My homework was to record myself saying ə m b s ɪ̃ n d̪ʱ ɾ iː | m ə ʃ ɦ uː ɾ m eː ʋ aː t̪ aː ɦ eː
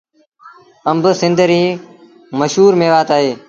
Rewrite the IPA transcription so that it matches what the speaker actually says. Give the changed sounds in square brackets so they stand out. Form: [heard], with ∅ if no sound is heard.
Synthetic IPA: ə m b s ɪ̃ n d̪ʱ ɾ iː | m ə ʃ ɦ uː ɾ m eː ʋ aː t̪ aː ɦ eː